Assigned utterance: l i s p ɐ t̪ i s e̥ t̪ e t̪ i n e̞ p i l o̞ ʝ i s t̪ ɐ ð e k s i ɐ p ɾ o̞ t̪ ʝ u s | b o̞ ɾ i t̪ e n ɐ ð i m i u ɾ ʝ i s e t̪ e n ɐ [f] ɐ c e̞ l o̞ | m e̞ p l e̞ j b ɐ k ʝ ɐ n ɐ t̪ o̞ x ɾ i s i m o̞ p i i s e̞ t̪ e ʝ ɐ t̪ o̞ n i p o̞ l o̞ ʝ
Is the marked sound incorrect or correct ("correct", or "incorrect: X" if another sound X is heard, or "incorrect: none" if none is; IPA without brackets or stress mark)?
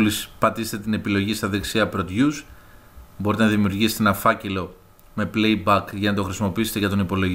correct